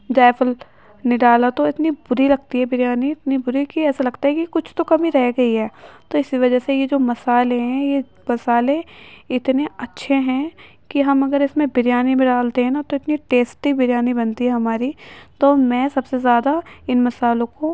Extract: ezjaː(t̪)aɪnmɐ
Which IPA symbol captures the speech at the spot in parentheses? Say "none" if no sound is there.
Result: d̪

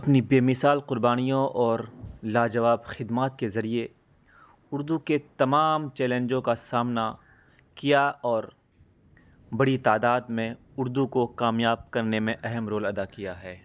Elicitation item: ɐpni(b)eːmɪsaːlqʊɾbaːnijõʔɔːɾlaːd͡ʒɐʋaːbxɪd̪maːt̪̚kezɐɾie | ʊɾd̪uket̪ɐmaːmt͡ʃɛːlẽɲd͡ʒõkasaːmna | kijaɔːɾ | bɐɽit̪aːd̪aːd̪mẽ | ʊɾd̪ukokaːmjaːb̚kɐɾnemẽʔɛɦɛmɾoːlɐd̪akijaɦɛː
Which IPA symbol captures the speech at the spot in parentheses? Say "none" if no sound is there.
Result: b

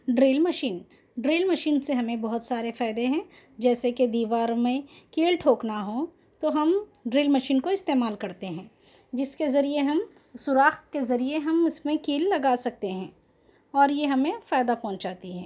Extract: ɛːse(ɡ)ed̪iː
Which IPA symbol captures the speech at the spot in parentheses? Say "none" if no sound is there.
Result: k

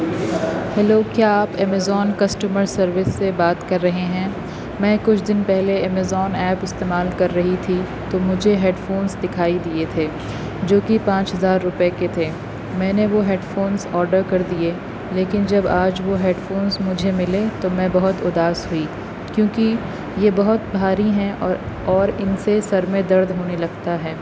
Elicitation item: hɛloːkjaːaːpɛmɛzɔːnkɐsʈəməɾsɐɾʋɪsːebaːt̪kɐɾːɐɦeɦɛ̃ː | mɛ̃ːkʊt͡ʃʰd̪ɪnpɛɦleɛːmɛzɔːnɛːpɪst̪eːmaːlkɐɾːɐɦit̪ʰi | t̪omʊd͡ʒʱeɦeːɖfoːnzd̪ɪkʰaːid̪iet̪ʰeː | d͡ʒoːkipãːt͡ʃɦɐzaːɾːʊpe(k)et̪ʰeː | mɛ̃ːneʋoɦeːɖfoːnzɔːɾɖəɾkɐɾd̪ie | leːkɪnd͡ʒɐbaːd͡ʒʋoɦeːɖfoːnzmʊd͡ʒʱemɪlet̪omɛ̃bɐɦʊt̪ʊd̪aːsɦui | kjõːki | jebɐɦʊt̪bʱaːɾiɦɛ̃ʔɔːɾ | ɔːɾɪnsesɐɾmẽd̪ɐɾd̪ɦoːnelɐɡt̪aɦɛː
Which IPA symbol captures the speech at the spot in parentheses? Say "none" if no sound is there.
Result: k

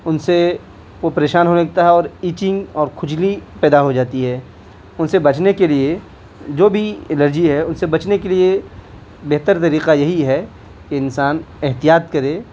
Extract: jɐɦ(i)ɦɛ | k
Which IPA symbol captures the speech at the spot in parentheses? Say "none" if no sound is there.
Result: i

